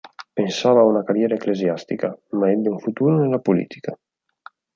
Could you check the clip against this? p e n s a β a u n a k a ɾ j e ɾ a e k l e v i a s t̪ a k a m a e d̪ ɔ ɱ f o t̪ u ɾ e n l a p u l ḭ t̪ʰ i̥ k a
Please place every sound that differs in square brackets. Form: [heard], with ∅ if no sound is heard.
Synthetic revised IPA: p e n s a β a u n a k a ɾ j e ɾ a e k l e [z] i a s t̪ [i] k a m a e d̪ [u] ɱ f [u] t̪ u ɾ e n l a p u l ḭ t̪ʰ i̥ k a